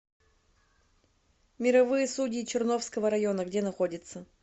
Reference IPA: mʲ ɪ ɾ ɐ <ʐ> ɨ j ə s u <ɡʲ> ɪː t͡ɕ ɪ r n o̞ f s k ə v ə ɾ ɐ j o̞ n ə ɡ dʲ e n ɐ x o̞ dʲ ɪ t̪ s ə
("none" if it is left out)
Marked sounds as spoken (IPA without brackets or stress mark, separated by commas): v, dʲ